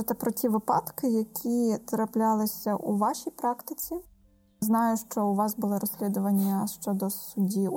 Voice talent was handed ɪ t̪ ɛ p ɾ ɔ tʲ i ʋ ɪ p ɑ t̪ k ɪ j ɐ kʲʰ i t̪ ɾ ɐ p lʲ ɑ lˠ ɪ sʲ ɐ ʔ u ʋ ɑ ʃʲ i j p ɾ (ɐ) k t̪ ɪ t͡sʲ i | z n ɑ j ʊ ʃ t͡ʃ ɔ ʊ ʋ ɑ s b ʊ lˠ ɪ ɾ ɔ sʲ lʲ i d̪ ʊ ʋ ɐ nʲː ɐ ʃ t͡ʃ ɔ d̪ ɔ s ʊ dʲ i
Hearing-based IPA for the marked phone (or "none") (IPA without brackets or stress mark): ɑ